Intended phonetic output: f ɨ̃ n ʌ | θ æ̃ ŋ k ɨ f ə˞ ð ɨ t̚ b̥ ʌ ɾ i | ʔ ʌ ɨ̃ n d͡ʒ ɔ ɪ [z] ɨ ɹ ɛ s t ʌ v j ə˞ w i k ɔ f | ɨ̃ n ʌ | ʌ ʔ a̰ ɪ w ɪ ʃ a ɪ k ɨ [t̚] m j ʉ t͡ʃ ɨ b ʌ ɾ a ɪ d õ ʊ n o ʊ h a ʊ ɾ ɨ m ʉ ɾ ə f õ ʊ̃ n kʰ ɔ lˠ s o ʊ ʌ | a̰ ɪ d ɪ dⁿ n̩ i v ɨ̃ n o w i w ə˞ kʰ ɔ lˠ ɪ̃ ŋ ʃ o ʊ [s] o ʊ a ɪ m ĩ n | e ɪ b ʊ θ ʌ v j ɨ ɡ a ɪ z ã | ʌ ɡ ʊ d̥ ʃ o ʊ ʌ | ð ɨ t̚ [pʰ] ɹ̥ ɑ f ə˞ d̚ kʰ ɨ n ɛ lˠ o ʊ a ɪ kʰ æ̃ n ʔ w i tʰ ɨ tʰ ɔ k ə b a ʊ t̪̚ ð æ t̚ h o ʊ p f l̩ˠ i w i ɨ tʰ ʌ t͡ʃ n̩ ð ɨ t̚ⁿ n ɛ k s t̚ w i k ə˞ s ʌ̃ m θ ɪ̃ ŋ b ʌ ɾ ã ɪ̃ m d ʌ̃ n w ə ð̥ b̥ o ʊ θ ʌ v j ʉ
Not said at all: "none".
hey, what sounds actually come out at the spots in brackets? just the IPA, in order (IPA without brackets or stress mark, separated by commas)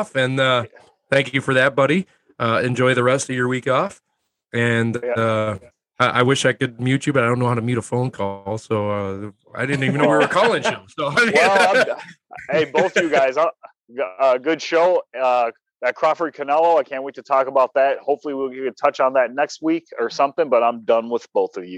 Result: ð, d̚, s, kʰ